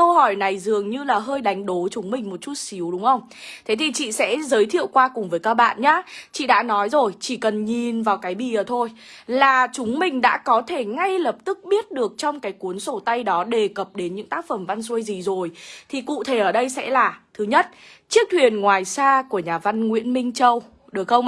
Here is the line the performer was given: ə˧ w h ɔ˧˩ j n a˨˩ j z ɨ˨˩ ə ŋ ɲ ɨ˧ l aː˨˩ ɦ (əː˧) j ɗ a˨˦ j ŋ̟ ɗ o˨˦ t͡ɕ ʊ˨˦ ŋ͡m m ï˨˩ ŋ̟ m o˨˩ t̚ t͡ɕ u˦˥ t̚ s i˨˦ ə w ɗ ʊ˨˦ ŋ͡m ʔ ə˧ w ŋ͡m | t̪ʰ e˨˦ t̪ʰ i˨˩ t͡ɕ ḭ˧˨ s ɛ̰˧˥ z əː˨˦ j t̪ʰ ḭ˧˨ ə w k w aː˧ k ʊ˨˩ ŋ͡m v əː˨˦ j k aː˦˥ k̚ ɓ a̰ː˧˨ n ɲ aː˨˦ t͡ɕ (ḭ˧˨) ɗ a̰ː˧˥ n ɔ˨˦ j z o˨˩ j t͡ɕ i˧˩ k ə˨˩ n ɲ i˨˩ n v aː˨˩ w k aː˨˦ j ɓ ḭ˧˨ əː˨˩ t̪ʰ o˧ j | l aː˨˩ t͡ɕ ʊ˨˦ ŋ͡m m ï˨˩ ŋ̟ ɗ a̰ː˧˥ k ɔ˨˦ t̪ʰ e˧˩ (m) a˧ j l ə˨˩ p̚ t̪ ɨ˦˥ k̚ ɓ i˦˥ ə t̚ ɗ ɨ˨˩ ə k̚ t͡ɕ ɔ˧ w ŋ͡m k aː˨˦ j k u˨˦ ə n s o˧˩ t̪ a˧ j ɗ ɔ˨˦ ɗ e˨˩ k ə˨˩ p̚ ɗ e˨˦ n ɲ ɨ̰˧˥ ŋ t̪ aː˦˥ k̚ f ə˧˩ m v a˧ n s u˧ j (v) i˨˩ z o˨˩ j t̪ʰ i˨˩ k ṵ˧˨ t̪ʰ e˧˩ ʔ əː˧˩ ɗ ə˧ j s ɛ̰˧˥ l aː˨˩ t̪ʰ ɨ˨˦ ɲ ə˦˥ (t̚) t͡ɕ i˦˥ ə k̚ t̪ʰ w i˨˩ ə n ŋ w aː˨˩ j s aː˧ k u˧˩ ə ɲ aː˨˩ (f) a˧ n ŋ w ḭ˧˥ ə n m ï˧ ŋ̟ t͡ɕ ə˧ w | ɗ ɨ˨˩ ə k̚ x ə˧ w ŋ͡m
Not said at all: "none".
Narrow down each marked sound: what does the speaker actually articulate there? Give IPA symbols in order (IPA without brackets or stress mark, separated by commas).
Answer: əː˧, ḭ˧˨, ŋ, z, t̚, v